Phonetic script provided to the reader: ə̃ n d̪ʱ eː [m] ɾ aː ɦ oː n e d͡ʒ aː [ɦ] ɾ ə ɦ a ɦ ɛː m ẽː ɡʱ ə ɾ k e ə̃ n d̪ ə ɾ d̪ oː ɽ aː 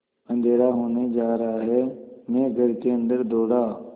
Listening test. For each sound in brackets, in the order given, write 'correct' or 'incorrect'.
incorrect, incorrect

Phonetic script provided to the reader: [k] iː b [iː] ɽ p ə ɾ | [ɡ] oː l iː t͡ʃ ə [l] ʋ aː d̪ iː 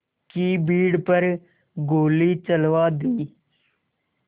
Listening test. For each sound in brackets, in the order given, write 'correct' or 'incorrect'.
correct, correct, correct, correct

